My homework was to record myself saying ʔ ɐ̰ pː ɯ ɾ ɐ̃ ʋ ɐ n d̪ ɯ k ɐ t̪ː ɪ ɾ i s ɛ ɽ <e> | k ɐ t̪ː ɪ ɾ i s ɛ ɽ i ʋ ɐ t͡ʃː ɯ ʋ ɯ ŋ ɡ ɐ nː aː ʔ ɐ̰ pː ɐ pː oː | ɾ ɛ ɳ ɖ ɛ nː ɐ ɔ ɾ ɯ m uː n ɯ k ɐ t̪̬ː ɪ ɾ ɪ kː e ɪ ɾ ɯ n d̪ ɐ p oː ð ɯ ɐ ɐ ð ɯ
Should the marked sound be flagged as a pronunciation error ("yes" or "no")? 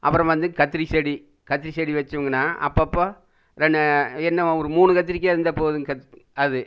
yes